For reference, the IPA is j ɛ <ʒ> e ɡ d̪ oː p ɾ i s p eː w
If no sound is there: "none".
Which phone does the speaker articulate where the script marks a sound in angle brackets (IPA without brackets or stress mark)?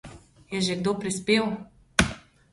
ʒ